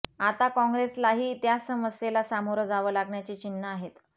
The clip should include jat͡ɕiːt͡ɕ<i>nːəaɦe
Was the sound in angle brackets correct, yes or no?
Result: yes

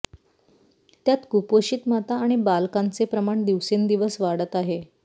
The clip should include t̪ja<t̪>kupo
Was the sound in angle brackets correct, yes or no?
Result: yes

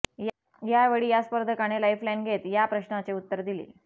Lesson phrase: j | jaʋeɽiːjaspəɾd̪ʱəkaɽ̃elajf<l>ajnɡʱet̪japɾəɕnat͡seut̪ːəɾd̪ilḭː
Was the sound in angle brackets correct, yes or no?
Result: yes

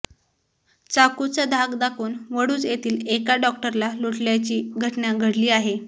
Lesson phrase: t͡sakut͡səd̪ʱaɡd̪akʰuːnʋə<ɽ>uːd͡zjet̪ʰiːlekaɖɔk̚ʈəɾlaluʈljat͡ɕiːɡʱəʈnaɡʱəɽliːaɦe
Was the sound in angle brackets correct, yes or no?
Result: yes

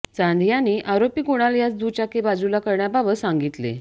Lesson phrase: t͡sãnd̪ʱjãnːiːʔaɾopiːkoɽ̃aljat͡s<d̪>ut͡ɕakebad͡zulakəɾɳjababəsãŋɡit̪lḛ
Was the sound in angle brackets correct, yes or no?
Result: yes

